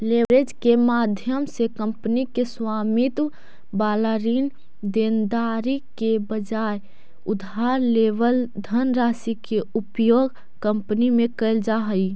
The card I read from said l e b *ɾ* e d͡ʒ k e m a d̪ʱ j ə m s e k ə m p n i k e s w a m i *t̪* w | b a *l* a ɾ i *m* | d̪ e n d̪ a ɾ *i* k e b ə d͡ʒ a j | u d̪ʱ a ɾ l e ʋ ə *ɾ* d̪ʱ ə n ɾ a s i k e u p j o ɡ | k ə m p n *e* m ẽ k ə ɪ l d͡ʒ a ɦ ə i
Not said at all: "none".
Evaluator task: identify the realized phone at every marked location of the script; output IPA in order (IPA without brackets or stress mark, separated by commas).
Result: ɾ, t̪, l, n, i, l, i